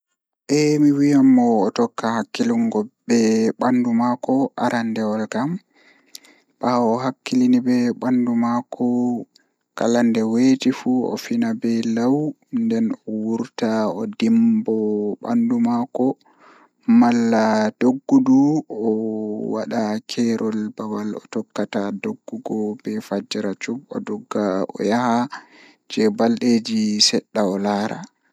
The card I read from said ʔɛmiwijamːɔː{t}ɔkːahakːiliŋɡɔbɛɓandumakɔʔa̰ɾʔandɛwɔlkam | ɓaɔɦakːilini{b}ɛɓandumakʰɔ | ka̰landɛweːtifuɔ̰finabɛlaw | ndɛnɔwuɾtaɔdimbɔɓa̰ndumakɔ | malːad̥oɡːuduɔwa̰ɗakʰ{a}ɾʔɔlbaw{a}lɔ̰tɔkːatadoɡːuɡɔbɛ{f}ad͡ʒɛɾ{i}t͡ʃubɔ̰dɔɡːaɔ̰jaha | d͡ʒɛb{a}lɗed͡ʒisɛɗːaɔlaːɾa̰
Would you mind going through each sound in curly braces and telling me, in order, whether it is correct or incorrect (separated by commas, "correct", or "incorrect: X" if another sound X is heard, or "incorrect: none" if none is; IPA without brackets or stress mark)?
correct, correct, incorrect: ɛ, correct, correct, incorrect: a, correct